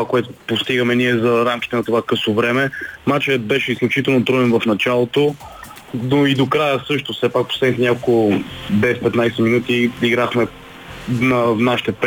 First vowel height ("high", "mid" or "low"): low